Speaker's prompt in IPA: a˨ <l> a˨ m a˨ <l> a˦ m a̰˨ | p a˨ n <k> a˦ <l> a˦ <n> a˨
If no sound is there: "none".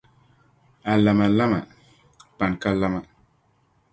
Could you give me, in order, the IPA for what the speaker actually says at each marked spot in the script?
l, l, k, l, m

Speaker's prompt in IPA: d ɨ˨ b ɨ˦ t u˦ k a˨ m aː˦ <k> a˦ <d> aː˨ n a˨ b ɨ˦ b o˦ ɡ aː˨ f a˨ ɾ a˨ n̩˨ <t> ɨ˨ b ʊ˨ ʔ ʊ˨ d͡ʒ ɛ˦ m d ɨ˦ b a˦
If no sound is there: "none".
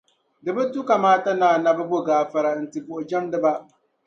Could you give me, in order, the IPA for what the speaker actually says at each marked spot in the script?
t, n, t

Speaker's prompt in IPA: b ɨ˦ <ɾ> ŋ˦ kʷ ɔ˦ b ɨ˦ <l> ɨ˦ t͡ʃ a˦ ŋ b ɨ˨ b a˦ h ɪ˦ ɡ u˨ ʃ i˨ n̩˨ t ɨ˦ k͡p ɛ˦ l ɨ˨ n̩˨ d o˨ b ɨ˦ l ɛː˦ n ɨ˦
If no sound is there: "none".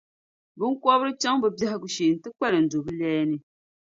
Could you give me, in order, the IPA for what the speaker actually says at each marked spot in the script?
none, ɾ

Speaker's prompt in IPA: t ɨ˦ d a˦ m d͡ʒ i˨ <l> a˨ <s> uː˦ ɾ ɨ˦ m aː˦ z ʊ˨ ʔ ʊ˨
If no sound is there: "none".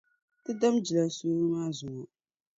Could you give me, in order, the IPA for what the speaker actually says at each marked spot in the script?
l, s

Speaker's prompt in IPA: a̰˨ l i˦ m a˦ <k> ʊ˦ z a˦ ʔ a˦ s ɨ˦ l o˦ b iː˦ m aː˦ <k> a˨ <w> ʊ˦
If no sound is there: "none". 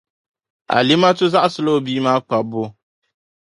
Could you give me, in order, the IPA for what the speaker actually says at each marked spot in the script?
t, k͡p, b

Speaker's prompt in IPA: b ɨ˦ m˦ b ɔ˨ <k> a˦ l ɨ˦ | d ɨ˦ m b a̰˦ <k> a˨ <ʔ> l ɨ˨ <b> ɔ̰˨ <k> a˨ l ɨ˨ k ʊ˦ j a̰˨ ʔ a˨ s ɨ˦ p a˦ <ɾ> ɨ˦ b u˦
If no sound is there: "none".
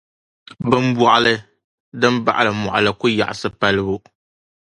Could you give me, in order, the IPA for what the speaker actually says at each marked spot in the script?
ʔ, ʔ, none, m, ʔ, l

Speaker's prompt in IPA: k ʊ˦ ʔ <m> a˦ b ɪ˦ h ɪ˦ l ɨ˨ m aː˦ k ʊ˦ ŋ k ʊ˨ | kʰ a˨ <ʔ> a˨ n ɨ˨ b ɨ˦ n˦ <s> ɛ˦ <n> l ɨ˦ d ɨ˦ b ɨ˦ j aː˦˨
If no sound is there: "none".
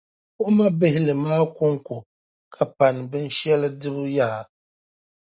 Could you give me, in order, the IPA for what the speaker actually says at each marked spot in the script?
m, p, ʃ, none

